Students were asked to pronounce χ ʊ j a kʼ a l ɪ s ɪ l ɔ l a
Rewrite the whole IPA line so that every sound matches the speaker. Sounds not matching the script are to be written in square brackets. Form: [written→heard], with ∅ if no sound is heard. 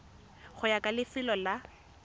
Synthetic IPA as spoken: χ ʊ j a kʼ a l ɪ [s→f] ɪ l ɔ l a